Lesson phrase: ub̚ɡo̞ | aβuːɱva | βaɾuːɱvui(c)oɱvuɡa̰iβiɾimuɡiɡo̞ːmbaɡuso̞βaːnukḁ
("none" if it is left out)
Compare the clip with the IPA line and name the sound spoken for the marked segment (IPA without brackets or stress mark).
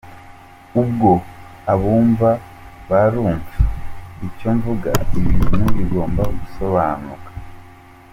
c